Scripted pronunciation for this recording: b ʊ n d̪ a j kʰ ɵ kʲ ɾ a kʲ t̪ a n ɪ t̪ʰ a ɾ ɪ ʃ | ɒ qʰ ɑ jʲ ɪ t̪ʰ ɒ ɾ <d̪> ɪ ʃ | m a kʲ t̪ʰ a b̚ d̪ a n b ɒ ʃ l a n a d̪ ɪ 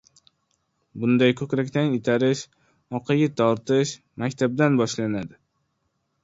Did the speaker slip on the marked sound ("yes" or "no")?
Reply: yes